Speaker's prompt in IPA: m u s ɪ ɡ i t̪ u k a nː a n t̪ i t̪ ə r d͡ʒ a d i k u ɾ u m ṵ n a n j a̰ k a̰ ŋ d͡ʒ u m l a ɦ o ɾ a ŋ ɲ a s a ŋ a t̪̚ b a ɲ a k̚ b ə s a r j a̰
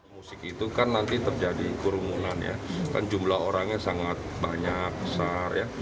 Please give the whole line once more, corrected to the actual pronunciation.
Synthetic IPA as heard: m u s ɪ k i t̪ u k a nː a n t̪ i t̪ ə r d͡ʒ a d i k u ɾ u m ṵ n a n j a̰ k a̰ n d͡ʒ u m l a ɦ o ɾ a ŋ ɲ a s a ŋ a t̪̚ b a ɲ a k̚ b ə s a r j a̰